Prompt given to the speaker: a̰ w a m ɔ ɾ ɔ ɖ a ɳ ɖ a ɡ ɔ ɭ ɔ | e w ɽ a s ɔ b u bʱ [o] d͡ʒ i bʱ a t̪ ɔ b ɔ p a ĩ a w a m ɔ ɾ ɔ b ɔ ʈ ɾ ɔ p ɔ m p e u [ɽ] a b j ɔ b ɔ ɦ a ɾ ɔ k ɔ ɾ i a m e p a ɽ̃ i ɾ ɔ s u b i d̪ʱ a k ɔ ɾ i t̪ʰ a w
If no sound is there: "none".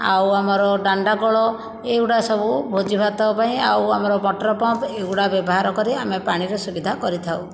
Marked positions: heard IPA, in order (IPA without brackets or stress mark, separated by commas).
o, ɽ